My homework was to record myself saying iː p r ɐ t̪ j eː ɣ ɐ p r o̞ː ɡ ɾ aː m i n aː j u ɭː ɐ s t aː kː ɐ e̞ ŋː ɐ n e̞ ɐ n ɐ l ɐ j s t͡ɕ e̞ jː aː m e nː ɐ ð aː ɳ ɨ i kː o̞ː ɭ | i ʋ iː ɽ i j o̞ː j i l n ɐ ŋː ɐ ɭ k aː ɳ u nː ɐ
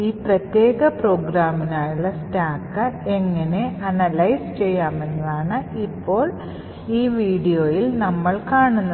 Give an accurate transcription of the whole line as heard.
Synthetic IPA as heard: iː p r ɐ t̪ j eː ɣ ɐ p r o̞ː ɡ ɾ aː m i n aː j u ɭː ɐ s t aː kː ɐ e̞ ŋː ɐ n e̞ ɐ n ɐ l ɐ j s t͡ɕ e̞ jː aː m e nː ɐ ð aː ɳ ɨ i pː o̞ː ɭ | iː ʋ iː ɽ i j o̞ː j i l n ɐ mː ɐ ɭ k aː ɳ u nː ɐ